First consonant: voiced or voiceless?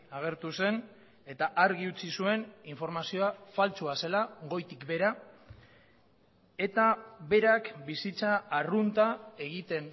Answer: voiced